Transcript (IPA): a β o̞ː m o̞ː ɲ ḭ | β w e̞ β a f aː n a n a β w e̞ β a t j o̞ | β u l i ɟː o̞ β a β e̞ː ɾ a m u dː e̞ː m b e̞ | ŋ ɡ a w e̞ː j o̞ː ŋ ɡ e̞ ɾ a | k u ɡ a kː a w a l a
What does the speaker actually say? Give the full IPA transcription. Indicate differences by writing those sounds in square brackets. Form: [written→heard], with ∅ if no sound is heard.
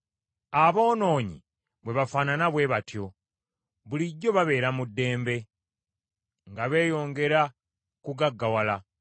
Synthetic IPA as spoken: a β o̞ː [m→n] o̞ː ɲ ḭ | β w e̞ β a f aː n a n a β w e̞ β a t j o̞ | β u l i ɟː o̞ β a β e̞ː ɾ a m u dː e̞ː m b e̞ | ŋ ɡ a [w→β] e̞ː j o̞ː ŋ ɡ e̞ ɾ a | k u ɡ a [kː→ɡː] a w a l a